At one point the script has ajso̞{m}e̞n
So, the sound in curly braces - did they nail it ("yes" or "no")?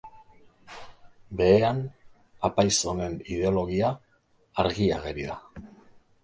no